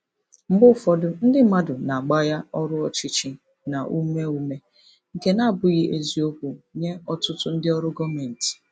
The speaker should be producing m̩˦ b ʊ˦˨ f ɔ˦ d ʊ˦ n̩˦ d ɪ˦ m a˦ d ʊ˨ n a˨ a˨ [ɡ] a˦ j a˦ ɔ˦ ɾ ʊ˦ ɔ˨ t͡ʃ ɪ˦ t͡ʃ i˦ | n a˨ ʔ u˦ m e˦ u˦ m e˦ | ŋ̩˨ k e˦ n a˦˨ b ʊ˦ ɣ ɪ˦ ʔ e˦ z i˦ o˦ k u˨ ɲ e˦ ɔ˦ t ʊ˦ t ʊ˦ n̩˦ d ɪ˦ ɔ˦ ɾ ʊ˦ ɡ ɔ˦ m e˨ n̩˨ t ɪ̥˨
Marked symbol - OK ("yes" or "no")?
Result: no